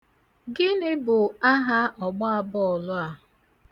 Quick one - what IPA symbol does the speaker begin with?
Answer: ɡ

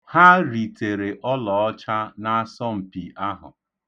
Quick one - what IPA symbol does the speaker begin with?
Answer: h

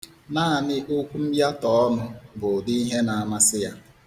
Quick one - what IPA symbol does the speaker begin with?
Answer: n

